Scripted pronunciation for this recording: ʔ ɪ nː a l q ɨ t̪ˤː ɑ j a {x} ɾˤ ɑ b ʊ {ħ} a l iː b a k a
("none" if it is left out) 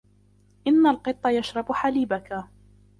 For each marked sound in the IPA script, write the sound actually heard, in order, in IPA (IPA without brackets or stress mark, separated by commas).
ʃ, ħ